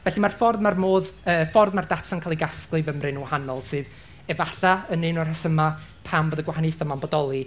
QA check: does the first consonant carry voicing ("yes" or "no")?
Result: yes